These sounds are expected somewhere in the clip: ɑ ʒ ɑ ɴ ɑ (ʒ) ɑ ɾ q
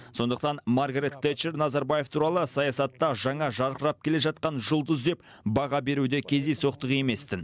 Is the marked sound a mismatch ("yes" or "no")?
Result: no